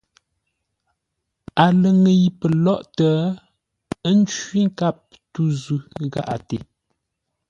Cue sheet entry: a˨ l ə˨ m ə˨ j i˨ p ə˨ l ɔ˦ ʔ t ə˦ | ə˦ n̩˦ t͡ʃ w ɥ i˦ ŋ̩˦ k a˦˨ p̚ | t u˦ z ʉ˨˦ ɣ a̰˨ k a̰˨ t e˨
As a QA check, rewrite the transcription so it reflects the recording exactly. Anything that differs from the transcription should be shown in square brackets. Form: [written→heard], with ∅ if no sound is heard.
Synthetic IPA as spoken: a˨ l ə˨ [m→ŋ] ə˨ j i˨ p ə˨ l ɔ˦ ʔ t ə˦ | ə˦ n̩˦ t͡ʃ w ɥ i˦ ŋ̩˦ k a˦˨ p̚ | t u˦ z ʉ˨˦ ɣ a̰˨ [k→ʔ] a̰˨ t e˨